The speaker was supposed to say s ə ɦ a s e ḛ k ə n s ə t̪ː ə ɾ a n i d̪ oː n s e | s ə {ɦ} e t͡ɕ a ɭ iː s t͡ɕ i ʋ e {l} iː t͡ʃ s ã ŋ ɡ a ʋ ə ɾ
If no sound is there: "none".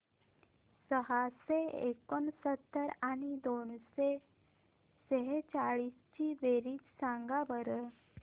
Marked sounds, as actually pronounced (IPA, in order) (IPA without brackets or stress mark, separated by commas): ɦ, ɾ